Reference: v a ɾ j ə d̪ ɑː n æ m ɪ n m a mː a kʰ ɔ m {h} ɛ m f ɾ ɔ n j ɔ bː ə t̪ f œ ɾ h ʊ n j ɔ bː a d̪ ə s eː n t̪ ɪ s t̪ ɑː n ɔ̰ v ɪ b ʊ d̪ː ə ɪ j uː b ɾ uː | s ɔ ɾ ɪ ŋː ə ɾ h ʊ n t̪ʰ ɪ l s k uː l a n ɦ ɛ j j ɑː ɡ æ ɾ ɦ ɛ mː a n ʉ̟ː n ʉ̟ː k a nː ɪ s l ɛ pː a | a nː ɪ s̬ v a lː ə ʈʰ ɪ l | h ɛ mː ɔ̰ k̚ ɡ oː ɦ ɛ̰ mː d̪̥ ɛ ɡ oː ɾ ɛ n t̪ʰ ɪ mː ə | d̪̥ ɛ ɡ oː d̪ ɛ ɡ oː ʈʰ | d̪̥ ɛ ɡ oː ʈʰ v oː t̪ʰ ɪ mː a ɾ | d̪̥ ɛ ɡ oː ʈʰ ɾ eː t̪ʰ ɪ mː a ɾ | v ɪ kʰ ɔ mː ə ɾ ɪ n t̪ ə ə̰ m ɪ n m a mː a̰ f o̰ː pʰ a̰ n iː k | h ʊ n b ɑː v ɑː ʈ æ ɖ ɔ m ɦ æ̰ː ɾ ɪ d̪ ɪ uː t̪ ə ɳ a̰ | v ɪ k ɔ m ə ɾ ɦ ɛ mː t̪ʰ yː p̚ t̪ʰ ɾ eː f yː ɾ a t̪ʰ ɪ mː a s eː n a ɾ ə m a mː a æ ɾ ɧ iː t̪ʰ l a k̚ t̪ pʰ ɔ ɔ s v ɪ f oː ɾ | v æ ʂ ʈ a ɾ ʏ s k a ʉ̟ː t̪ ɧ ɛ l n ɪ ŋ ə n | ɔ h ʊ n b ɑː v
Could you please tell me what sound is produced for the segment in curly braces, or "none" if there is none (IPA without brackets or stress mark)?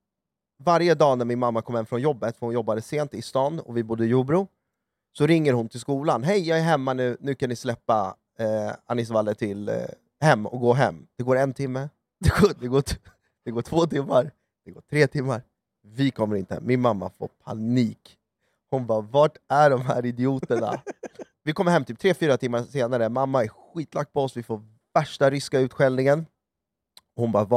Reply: h